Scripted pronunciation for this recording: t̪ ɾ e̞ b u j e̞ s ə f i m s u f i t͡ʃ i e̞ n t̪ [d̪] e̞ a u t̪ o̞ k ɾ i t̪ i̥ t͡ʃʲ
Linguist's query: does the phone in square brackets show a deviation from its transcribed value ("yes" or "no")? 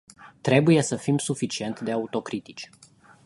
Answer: no